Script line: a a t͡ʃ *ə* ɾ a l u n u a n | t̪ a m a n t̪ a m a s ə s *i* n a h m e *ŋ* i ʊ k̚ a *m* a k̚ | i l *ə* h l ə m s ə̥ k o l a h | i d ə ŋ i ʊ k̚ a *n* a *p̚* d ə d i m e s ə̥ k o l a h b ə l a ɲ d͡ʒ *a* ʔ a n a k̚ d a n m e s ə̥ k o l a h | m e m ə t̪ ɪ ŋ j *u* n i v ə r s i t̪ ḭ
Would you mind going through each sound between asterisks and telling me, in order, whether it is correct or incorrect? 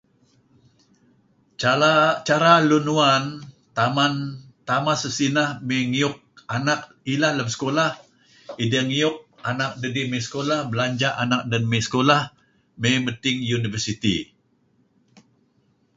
incorrect, correct, correct, incorrect, incorrect, correct, incorrect, correct, correct

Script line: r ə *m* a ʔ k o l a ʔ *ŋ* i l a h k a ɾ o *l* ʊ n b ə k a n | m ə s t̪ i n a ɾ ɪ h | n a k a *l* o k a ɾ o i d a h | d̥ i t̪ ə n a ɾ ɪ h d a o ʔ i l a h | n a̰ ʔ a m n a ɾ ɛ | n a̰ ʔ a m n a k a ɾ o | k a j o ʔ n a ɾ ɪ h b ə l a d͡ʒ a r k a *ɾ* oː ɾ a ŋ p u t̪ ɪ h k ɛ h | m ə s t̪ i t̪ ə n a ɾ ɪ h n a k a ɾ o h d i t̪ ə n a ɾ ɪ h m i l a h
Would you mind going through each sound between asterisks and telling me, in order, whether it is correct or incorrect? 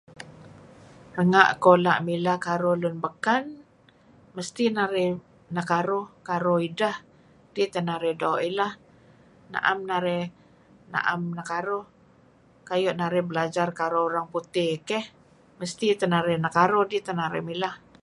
incorrect, incorrect, correct, incorrect, correct

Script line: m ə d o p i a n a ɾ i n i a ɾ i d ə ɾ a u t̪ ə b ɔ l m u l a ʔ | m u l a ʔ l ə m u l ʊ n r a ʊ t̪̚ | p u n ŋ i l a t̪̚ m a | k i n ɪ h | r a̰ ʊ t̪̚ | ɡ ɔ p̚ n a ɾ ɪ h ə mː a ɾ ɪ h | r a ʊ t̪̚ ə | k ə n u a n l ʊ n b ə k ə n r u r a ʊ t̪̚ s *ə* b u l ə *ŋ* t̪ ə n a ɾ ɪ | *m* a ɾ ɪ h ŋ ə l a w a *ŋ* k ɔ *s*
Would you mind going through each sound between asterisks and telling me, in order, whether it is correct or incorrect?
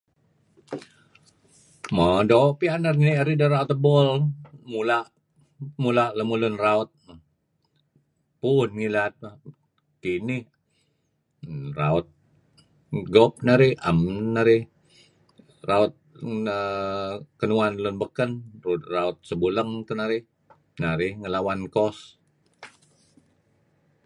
correct, correct, incorrect, incorrect, correct

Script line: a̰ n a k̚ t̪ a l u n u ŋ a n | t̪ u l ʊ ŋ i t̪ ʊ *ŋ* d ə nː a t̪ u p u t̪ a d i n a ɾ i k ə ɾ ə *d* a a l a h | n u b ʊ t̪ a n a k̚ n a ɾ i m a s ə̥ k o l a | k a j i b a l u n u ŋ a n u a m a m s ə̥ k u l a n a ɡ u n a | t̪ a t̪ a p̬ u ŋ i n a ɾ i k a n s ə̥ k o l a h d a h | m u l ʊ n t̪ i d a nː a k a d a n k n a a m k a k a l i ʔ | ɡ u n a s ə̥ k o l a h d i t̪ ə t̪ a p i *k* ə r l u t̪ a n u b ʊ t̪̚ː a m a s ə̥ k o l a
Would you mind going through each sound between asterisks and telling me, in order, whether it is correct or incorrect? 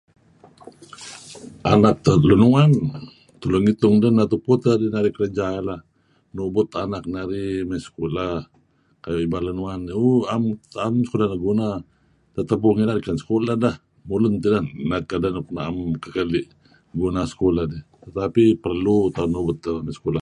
correct, incorrect, incorrect

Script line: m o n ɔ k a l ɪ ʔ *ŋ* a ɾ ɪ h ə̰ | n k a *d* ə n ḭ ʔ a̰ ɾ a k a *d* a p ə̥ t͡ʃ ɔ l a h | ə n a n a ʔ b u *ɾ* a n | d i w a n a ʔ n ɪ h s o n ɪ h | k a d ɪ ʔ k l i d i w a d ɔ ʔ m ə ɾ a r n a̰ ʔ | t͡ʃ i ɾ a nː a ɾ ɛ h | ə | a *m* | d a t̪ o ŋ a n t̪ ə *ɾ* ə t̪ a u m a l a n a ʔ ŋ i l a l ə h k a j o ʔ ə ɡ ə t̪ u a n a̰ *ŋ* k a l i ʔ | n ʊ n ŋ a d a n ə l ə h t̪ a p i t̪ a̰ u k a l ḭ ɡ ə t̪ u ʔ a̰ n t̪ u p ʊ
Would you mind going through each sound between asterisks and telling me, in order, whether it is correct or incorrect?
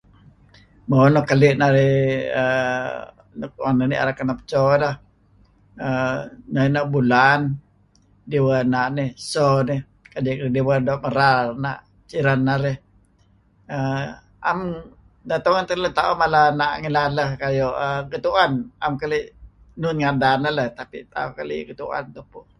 incorrect, incorrect, incorrect, incorrect, correct, incorrect, incorrect

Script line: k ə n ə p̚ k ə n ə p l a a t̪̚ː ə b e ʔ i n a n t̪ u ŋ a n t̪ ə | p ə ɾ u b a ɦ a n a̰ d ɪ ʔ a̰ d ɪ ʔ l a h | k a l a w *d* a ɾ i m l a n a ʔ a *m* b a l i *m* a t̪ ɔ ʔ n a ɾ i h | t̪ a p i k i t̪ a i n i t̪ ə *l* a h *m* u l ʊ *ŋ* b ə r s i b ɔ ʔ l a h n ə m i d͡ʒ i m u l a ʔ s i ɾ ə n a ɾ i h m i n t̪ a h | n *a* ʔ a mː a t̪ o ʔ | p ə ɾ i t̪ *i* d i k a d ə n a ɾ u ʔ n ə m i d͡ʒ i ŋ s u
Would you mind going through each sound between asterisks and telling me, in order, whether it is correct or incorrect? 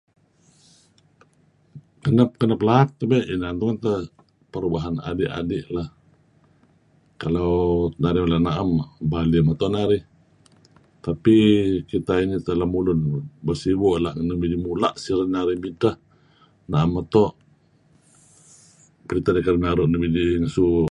incorrect, correct, correct, correct, correct, incorrect, correct, incorrect

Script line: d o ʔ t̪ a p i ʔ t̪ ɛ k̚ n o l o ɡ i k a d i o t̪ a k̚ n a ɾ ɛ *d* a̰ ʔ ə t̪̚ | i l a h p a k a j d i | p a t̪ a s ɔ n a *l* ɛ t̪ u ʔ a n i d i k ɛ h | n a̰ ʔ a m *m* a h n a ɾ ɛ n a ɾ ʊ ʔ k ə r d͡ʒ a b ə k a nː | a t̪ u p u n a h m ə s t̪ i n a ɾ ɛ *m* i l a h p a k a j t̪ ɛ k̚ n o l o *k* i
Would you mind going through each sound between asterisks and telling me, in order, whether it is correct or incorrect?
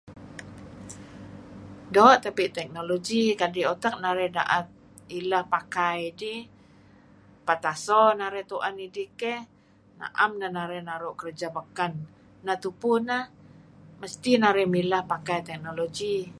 correct, incorrect, incorrect, correct, incorrect

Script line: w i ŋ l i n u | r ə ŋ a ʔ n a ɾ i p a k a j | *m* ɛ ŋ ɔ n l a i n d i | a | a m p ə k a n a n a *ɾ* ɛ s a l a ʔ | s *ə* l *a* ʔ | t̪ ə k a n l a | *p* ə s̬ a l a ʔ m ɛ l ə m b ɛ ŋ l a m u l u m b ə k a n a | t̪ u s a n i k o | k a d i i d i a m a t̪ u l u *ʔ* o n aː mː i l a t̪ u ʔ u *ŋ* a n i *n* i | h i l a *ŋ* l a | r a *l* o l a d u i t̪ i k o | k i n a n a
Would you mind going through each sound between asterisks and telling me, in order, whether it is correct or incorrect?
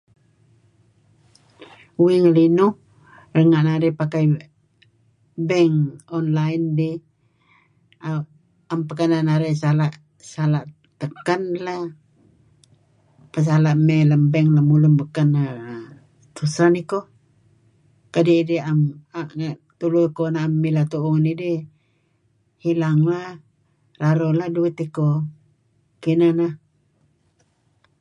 incorrect, correct, incorrect, correct, correct, incorrect, correct, incorrect, correct, incorrect

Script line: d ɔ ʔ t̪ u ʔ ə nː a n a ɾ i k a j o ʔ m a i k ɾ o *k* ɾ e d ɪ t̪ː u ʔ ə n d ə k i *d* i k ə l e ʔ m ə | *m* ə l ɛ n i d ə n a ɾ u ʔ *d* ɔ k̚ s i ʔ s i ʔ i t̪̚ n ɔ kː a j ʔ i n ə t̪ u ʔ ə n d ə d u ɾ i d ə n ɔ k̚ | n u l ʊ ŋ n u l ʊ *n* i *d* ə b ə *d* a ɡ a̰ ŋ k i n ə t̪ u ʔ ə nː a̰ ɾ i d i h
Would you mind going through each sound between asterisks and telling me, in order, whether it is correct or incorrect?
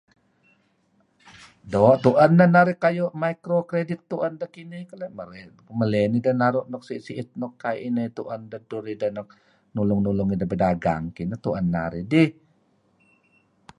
correct, incorrect, correct, incorrect, incorrect, correct, correct

